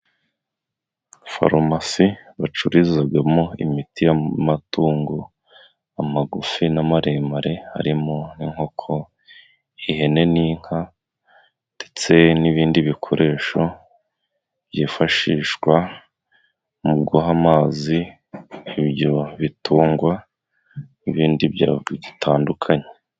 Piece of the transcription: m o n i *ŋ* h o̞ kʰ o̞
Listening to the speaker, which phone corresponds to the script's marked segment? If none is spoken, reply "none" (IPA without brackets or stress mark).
ŋ